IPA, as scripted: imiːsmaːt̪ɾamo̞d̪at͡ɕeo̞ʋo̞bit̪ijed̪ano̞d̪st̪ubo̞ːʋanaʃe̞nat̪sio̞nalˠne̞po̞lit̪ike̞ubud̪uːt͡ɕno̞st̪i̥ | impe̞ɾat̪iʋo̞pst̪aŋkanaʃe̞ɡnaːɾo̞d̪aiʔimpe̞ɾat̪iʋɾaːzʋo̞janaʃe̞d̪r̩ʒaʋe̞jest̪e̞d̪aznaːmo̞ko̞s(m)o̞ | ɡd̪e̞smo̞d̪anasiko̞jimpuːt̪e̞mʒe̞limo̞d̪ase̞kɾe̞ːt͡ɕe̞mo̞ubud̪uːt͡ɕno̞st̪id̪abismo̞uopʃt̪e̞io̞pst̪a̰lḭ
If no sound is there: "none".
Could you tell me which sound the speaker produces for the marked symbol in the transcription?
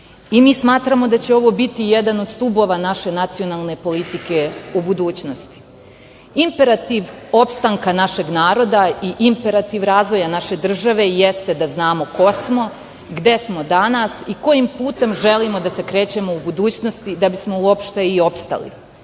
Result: m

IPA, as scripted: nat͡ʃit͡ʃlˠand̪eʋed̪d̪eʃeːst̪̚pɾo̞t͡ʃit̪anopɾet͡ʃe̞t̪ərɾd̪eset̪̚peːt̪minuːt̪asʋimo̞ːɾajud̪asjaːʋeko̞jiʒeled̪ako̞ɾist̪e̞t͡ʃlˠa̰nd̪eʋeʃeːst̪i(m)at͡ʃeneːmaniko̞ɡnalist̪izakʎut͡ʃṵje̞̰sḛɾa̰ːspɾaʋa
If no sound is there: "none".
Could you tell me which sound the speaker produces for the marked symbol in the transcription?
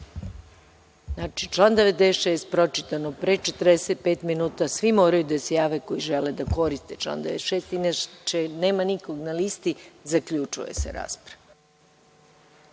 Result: n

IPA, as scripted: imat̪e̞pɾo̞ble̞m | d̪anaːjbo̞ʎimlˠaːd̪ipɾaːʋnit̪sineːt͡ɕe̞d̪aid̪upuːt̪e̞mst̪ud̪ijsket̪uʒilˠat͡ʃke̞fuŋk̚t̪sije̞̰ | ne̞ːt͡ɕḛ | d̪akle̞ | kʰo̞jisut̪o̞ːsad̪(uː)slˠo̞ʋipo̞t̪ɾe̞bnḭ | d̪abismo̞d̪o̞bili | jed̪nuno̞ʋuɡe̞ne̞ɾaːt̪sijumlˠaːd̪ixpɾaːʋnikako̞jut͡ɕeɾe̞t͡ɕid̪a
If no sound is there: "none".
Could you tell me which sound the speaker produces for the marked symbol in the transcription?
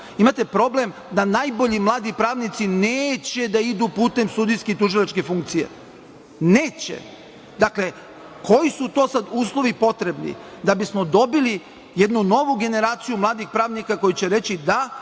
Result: uː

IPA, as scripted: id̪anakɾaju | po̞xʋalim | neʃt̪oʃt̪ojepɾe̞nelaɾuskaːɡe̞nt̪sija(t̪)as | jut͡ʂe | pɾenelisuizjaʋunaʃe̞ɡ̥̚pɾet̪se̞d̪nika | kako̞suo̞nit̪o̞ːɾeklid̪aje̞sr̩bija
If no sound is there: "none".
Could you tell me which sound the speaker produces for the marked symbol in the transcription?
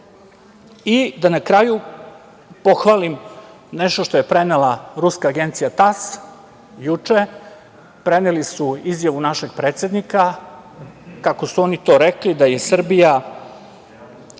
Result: t̪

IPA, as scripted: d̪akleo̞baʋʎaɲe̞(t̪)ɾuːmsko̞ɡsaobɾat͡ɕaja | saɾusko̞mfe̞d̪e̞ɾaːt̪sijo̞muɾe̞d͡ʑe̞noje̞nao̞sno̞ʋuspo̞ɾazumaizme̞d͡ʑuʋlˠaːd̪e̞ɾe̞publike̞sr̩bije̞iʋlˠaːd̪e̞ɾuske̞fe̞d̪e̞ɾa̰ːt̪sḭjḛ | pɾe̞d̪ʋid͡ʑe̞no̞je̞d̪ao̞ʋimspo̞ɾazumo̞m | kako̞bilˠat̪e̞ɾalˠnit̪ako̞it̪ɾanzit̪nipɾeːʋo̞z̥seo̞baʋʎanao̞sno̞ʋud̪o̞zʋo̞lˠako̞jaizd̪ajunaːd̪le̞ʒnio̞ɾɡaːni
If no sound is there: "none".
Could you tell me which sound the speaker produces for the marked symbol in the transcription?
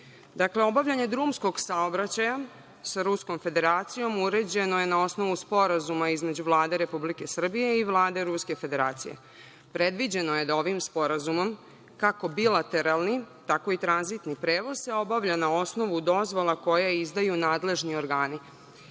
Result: d̪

